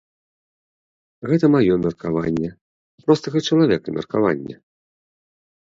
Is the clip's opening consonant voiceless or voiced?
voiced